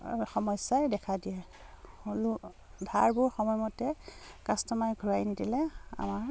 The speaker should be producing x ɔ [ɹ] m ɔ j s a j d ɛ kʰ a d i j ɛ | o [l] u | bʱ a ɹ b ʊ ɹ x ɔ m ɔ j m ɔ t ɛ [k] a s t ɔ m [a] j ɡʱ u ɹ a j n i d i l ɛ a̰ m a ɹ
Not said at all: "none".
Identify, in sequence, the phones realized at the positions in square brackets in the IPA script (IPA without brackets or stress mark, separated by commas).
none, l, k, a